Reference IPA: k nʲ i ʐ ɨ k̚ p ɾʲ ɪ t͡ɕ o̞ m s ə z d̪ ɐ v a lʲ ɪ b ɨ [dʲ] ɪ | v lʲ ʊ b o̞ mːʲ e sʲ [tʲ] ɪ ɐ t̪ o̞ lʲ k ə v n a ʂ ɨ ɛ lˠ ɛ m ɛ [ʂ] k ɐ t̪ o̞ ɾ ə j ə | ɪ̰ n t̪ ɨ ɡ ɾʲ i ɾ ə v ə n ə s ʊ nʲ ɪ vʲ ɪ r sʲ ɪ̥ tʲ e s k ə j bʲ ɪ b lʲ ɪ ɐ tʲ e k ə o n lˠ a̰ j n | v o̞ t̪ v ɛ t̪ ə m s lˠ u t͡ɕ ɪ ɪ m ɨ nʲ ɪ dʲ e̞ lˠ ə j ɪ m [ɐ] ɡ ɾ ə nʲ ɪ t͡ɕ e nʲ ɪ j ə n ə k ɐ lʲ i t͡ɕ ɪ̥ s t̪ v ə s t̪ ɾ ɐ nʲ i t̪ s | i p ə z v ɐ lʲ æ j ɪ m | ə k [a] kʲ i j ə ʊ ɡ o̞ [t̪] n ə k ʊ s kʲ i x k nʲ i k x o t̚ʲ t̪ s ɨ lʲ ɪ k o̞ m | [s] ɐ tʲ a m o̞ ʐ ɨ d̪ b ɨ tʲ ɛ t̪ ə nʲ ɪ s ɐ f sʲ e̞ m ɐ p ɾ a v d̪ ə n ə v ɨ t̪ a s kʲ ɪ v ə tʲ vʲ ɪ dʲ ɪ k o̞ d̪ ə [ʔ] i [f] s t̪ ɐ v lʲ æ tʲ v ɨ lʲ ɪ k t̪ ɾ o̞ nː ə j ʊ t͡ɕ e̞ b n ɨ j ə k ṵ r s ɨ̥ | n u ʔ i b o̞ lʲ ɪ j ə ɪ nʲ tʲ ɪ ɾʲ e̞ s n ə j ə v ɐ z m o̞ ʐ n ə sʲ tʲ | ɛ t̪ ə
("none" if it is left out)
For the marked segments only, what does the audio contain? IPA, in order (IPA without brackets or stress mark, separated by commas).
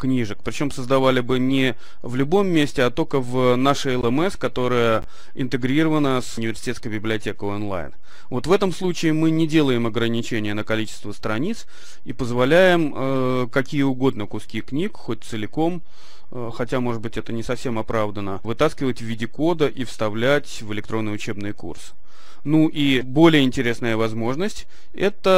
nʲ, tʲ, s, ɐ, ɐ, d̪, x, ʔ, f